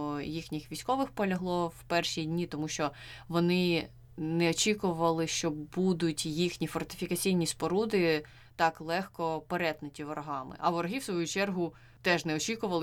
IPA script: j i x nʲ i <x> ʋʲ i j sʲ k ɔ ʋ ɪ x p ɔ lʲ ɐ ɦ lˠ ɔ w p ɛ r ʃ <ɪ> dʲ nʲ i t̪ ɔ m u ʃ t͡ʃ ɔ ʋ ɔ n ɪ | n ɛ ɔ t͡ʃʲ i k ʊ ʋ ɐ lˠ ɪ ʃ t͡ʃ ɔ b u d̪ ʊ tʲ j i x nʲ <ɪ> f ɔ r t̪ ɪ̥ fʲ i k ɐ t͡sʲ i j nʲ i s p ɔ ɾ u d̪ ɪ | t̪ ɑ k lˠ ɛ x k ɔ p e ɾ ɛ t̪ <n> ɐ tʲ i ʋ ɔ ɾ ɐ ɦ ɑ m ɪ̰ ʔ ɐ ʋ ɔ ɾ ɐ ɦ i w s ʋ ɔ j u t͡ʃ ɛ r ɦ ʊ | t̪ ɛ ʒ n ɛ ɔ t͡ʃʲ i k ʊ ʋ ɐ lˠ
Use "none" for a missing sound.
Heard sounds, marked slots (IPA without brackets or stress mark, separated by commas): x, i, i, n